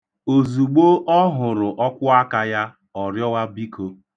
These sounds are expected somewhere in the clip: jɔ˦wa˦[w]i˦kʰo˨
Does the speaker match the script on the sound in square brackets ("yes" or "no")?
no